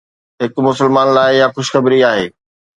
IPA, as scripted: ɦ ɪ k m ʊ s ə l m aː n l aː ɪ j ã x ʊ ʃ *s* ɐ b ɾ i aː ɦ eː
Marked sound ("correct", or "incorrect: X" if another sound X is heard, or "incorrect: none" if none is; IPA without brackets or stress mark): incorrect: x